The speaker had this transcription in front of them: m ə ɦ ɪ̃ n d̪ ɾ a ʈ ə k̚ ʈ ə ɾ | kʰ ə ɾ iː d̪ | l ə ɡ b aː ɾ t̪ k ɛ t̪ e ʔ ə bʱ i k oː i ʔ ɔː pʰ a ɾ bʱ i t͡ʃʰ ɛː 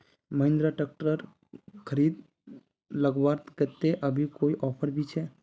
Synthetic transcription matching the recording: m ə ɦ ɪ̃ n d̪ ɾ a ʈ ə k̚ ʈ ə ɾ | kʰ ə ɾ iː d̪ | l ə ɡ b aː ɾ t̪ k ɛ t̪ e ʔ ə bʱ i k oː i ʔ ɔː pʰ ə ɾ bʱ i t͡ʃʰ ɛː